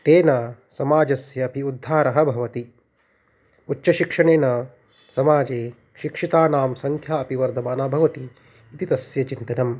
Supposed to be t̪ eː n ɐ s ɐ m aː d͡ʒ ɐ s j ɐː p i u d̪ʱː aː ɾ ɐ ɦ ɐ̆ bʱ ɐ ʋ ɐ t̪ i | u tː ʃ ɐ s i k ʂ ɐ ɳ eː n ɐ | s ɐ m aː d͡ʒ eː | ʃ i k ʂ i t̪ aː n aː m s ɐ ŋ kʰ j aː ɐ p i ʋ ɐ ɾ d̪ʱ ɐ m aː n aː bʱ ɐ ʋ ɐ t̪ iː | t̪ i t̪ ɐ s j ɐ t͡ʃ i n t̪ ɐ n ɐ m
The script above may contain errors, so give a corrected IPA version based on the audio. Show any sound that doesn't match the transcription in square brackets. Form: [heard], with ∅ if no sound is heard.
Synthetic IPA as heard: t̪ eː n ɐ s ɐ m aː d͡ʒ ɐ s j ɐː p i u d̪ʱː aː ɾ ɐ ɦ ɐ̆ bʱ ɐ ʋ ɐ t̪ i | u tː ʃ ɐ [ʃ] i k ʂ ɐ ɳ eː n ɐ | s ɐ m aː d͡ʒ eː | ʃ i k ʂ i t̪ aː n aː m s ɐ ŋ kʰ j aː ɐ p i ʋ ɐ ɾ d̪ʱ ɐ m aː n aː bʱ ɐ ʋ ɐ t̪ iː | t̪ i t̪ ɐ s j ɐ t͡ʃ i n t̪ ɐ n ɐ m